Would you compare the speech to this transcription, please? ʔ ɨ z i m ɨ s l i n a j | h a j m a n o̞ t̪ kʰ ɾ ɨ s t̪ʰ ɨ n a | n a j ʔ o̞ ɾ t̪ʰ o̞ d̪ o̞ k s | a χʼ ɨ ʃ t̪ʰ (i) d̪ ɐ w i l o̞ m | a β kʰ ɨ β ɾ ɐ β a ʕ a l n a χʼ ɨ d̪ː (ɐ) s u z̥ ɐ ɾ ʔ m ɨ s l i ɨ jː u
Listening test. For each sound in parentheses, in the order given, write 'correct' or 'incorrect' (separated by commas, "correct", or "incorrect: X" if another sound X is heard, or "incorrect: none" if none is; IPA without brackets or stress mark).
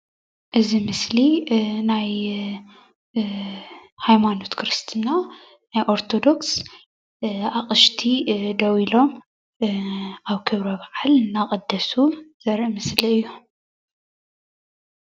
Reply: correct, correct